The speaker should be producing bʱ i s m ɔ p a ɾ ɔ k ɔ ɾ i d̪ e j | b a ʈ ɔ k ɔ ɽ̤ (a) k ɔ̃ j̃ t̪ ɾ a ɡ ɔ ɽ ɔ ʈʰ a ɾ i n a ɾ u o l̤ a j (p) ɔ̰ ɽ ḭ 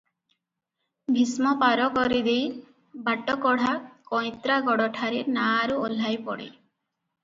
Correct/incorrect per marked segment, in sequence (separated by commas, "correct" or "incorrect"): correct, correct